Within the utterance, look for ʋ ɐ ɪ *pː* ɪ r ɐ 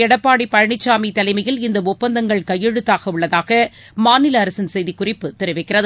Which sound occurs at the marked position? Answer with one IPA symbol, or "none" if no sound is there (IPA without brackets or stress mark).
kː